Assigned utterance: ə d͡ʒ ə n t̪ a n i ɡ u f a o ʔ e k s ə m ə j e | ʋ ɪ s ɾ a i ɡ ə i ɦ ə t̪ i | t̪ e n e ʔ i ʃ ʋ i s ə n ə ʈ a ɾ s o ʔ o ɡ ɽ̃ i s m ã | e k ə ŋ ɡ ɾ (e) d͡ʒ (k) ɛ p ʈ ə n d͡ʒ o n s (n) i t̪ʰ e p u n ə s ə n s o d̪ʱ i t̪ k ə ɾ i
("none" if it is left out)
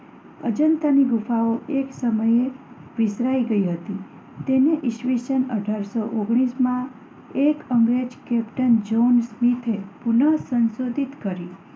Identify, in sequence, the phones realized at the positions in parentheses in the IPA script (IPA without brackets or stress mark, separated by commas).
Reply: e, k, m